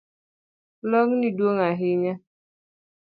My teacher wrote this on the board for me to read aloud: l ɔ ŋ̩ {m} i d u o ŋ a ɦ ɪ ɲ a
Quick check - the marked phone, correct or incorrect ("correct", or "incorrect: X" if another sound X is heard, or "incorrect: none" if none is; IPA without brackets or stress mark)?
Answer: incorrect: n